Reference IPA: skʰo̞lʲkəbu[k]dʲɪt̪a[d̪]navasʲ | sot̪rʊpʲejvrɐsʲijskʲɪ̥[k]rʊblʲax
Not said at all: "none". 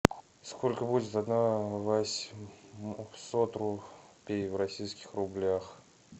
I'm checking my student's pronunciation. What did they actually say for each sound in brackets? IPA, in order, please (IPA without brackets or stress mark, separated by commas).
none, d̪, x